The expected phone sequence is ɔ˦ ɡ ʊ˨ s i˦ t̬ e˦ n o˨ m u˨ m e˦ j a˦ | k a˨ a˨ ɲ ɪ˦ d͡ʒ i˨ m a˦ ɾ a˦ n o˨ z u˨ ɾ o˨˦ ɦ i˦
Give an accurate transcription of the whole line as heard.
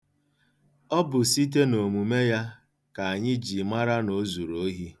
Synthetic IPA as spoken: ɔ˦ b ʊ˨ s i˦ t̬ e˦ n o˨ m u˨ m e˦ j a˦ | k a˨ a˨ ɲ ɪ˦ d͡ʒ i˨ m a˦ ɾ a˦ n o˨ z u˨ ɾ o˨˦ ɦ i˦